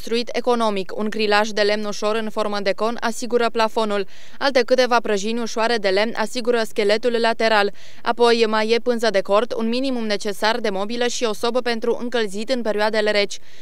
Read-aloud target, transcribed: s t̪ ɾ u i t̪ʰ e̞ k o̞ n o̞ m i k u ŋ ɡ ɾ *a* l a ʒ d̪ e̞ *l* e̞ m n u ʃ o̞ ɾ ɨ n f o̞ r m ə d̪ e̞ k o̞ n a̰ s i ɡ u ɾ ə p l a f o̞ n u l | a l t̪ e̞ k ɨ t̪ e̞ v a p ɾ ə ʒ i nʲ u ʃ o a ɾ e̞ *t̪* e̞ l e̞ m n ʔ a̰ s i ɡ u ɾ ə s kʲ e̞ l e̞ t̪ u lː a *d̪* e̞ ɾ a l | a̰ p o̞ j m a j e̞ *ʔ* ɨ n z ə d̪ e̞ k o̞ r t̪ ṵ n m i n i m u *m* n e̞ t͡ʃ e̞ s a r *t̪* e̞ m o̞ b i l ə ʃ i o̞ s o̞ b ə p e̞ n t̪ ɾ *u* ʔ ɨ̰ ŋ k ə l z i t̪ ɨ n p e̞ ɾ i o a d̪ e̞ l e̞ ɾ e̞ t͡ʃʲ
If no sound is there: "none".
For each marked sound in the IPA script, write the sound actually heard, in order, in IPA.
i, l, d̪, t̪, p, m, d̪, u

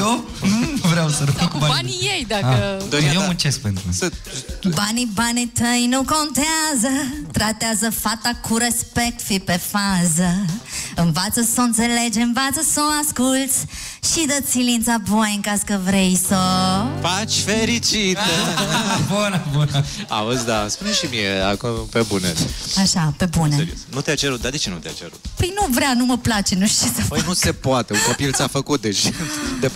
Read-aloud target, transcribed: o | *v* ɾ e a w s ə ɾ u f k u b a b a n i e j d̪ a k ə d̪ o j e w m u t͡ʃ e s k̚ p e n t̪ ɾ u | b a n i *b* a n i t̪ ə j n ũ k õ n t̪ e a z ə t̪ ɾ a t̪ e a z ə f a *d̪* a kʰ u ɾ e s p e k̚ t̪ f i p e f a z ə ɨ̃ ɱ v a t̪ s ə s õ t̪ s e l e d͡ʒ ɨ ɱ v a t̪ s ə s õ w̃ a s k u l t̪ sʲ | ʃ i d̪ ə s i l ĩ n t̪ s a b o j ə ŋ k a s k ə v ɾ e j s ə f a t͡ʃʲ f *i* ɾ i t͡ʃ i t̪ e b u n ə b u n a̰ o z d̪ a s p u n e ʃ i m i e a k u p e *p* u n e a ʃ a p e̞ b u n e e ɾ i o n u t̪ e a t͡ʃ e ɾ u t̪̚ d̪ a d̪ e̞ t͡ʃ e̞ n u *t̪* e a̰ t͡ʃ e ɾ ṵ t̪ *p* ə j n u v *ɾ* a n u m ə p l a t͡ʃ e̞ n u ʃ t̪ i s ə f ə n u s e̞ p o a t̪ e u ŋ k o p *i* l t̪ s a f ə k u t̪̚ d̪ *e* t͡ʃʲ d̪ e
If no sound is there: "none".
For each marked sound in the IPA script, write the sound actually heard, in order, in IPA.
v, b, t̪, e, b, t̪, p, ɾ, i, e

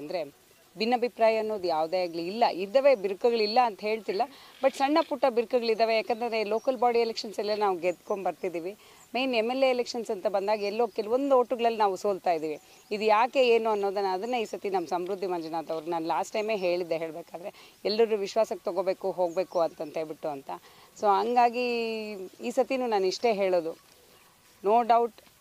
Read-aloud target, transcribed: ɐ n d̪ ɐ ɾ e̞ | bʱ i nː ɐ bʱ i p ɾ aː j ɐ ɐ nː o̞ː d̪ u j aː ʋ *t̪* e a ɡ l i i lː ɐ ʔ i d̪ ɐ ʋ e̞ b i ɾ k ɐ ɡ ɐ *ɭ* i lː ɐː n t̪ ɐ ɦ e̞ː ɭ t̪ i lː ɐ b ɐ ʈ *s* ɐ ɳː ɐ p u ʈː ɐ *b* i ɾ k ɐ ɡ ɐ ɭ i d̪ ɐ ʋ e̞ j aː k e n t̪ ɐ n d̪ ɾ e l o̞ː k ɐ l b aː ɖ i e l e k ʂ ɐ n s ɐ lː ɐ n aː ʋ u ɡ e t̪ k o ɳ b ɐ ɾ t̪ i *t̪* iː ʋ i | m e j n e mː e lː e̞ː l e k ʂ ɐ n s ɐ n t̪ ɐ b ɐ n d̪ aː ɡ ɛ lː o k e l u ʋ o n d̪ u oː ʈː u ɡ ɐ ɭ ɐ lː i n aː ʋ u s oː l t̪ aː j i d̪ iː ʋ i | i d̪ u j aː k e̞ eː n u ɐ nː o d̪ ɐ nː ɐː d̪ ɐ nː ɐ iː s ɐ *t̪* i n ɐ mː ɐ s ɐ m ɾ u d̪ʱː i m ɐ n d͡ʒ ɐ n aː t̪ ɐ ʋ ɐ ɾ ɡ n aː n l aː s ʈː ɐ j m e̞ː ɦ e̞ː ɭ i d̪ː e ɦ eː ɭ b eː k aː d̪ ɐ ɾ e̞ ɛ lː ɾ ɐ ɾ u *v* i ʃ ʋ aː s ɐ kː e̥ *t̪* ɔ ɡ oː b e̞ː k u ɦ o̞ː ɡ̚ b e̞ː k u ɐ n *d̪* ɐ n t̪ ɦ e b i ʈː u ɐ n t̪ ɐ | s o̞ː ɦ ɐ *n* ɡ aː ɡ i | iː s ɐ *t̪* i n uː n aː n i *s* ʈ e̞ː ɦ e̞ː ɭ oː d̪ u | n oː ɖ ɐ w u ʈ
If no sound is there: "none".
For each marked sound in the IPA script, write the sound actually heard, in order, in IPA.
d̪, ɭ, s, b, d̪, t̪, ʋ, t̪, t̪, ŋ, t̪, ʂ

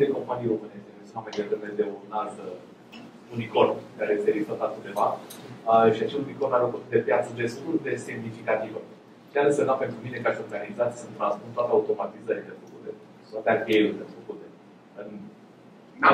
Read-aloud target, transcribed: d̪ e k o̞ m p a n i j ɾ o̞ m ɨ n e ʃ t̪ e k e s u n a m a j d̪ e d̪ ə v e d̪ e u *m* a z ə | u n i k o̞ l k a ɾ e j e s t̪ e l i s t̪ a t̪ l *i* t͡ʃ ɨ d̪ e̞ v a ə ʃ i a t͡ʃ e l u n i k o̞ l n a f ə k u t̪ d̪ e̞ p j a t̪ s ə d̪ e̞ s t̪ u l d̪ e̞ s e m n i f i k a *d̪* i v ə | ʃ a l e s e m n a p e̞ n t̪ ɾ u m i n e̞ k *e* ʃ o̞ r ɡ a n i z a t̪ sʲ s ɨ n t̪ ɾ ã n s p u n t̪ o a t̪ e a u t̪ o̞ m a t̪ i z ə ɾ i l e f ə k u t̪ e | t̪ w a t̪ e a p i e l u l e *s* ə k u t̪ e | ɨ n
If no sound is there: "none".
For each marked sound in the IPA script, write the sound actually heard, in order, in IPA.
n, a, t̪, a, f

